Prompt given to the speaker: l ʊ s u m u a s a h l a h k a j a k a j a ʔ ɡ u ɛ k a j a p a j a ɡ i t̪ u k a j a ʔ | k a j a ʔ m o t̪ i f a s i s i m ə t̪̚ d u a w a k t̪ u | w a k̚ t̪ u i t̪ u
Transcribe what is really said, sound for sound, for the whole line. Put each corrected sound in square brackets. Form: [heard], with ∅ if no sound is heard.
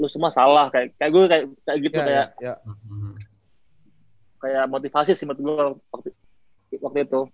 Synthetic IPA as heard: l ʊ s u m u a s a [∅] l a h k a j a k a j a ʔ ɡ u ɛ k a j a [k] a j a ɡ i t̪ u k a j a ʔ | k a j a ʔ m o t̪ i f a s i s i m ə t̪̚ [ɡ] u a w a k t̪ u | w a k̚ t̪ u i t̪ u